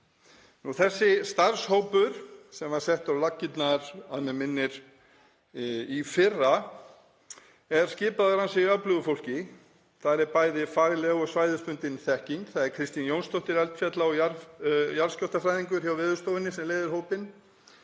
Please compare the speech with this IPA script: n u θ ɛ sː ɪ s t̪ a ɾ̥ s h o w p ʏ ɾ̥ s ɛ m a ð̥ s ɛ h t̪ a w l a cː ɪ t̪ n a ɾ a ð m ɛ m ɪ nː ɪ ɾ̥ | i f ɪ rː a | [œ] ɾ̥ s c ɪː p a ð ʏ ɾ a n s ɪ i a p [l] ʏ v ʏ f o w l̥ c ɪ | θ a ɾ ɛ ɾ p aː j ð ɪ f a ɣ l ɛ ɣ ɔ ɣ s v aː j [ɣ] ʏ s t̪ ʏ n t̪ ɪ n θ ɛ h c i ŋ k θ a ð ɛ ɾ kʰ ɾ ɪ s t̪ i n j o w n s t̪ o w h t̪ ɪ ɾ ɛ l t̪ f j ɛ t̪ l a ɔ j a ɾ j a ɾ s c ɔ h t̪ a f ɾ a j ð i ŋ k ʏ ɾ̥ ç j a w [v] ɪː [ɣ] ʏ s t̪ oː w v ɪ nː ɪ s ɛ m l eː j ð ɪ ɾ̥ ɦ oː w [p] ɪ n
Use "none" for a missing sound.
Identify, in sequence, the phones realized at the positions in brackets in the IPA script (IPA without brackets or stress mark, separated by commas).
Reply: ɛ, l, ð, v, ð, p